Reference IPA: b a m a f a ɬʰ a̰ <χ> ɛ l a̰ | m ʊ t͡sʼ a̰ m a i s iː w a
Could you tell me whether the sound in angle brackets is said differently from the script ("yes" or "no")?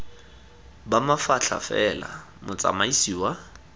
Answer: yes